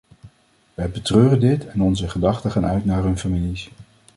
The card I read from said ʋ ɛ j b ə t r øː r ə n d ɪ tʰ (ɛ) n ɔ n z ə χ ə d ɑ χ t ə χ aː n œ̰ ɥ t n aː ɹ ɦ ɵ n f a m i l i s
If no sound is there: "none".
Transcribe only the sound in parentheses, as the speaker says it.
ɛ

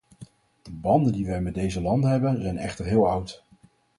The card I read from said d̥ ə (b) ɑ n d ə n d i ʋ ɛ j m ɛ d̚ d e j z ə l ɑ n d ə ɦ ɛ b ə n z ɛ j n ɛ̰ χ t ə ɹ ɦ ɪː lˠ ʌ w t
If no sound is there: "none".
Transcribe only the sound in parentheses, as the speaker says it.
b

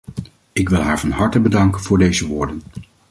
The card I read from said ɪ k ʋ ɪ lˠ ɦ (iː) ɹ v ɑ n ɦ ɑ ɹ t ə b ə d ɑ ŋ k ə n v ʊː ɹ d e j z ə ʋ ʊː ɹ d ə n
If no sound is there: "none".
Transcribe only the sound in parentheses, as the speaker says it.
aː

